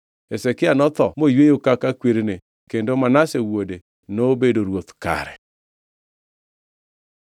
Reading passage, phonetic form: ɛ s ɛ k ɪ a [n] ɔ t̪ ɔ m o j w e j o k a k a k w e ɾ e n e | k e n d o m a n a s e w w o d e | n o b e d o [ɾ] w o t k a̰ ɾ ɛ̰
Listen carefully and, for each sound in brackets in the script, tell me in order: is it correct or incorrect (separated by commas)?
correct, correct